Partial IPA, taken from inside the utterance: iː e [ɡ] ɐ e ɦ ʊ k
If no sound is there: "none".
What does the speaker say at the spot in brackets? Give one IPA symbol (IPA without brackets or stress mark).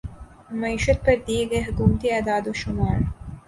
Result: ɡ